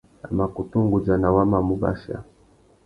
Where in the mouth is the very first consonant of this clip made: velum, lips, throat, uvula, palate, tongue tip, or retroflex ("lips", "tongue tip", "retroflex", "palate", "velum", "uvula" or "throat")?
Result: lips